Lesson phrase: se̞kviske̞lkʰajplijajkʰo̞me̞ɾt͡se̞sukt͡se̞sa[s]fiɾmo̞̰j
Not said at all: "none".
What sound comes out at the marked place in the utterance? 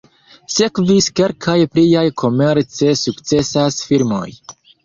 s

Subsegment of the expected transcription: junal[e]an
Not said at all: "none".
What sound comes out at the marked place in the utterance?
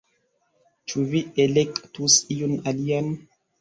i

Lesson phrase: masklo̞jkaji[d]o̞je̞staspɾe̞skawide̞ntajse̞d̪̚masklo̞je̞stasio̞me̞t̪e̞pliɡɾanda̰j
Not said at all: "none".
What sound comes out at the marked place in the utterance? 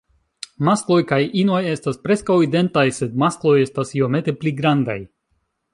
n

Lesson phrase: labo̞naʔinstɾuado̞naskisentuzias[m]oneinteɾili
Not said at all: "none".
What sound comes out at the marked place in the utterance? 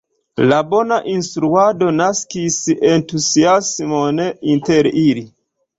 m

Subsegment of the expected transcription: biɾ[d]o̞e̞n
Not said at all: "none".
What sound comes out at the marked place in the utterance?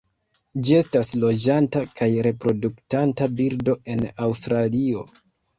d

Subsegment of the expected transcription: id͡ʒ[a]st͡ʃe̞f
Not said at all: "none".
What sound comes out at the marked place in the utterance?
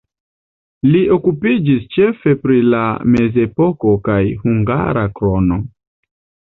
i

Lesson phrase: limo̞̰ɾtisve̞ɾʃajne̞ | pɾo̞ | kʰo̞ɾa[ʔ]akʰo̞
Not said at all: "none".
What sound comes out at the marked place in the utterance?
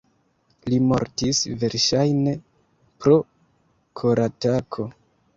t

